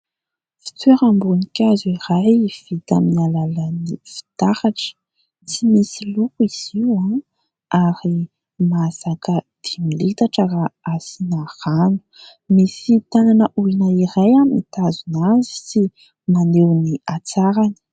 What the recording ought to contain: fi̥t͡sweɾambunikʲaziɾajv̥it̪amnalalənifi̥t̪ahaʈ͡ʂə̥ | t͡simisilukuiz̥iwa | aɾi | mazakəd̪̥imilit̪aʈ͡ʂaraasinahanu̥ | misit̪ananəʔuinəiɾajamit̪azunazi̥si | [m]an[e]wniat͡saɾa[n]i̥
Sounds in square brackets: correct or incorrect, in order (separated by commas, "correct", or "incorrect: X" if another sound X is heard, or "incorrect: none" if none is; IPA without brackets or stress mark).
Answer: correct, correct, correct